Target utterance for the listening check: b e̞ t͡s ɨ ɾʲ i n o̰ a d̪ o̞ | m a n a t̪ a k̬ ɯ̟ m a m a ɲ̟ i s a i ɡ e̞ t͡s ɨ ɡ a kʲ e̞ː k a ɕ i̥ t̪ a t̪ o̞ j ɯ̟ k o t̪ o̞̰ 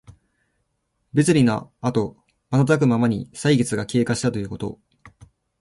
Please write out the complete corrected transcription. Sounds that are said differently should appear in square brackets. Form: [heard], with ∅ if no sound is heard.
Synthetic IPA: b e̞ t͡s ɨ ɾʲ i n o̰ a [t̪] o̞ | m a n a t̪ a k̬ ɯ̟ m a m a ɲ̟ i s a i ɡ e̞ t͡s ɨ ɡ a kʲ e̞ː k a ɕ i̥ t̪ a t̪ o̞ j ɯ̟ k o t̪ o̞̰